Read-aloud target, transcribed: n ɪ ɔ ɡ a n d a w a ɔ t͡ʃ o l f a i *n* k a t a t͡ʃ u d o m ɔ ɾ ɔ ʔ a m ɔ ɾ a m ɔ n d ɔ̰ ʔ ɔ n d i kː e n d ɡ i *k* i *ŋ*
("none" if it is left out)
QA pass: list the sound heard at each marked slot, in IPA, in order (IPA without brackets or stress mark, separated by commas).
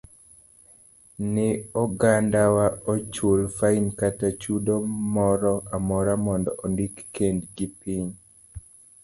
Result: n, p, ɲ